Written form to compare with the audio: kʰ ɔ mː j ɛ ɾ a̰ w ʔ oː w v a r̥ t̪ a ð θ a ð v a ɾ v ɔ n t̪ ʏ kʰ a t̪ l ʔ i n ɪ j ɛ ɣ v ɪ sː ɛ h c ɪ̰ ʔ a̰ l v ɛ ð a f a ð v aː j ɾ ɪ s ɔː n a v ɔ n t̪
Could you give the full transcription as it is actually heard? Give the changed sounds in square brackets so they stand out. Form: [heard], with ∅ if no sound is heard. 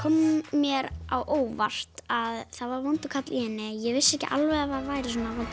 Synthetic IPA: kʰ ɔ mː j ɛ ɾ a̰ w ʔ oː w v a r̥ t̪ a ð θ a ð v a ɾ v ɔ n t̪ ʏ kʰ a t̪ l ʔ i n ɪ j ɛ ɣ v ɪ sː ɛ h c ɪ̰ ʔ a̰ l v ɛ ð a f a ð v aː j ɾ ɪ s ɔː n a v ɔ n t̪